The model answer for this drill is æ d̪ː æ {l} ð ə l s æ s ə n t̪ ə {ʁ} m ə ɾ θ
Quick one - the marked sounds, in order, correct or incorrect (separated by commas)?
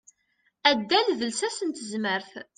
correct, incorrect